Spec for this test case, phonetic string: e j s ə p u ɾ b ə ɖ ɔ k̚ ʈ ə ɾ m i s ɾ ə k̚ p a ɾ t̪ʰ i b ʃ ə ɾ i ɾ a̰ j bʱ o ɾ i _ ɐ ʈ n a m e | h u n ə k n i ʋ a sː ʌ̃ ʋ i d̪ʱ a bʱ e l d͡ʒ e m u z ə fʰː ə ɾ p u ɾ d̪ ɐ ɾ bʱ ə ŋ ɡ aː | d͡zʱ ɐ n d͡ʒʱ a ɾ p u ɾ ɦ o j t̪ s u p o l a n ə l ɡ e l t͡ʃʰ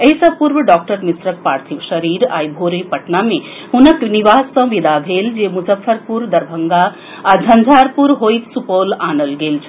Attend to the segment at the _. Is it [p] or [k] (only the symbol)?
p